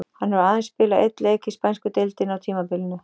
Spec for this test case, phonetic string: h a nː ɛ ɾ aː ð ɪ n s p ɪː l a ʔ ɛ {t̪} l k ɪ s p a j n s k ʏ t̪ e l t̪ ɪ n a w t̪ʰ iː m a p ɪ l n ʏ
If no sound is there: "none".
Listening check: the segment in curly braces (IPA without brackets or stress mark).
t̪